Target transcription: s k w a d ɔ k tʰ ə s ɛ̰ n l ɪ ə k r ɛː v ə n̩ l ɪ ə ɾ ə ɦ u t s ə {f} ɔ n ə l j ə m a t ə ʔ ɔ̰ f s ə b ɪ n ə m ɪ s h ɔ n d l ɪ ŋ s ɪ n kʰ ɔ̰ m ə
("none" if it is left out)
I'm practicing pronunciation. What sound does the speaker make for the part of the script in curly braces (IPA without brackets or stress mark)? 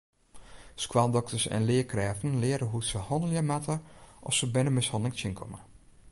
h